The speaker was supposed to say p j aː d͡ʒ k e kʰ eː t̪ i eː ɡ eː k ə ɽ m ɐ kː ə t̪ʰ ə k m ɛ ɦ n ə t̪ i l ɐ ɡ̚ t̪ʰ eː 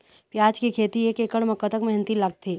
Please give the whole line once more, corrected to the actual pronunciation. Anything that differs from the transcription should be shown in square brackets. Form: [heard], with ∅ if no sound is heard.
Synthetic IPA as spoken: p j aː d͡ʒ k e kʰ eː t̪ i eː [k] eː k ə ɽ m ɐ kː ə [t̪] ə k m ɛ ɦ n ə t̪ i l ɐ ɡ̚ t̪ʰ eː